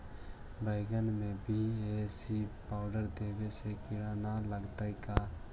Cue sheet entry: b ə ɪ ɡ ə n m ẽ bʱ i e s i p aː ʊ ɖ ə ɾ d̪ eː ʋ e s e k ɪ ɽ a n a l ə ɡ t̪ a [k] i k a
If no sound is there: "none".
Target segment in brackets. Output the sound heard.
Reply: none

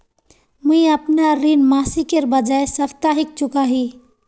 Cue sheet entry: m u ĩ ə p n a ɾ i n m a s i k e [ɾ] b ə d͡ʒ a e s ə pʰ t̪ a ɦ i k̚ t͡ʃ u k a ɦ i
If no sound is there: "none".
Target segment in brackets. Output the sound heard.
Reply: ɾ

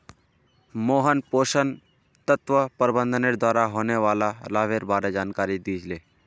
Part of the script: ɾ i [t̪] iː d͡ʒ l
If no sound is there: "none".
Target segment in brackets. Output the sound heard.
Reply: d̪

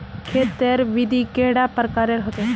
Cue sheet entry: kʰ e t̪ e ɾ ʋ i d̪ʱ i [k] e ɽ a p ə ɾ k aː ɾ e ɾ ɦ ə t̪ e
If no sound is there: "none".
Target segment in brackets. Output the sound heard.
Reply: k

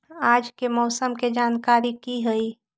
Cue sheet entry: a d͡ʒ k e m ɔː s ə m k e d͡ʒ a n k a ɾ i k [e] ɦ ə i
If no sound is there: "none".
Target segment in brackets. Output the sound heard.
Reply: i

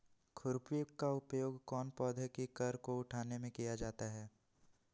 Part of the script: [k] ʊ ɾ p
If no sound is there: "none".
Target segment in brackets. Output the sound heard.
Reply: kʰ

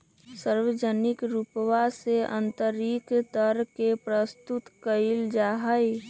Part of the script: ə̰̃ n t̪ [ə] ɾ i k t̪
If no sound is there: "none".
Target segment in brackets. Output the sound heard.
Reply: ə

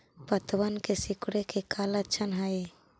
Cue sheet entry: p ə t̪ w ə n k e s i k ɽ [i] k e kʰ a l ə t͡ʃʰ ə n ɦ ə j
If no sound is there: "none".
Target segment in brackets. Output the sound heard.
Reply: e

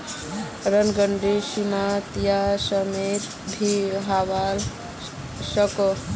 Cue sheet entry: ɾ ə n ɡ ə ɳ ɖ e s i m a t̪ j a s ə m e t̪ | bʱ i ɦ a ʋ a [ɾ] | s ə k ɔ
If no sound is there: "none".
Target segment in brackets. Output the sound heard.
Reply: l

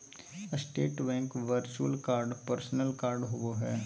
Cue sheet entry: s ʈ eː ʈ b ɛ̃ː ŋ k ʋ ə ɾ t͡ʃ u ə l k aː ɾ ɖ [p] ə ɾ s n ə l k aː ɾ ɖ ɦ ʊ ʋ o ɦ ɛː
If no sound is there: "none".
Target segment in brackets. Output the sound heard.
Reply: p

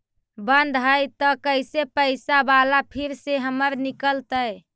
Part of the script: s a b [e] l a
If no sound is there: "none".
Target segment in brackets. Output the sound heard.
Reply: a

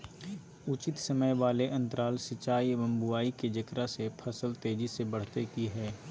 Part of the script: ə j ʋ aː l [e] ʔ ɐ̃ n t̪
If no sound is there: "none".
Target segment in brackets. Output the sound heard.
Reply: e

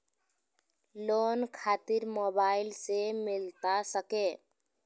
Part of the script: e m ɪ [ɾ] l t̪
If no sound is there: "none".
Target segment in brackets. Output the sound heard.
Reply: none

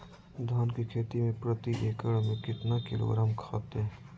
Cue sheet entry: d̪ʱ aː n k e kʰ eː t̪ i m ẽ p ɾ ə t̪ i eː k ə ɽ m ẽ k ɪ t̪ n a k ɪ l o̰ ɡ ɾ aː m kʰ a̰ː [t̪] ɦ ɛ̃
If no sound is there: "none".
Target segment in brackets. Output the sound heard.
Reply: t̪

